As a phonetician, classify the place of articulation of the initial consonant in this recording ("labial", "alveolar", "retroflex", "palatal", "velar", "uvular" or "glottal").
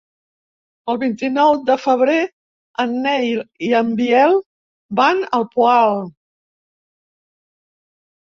alveolar